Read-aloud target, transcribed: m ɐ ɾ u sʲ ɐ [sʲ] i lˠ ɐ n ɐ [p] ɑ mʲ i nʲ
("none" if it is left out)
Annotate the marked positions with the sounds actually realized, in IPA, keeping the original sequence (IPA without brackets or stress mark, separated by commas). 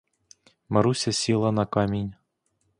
sʲ, k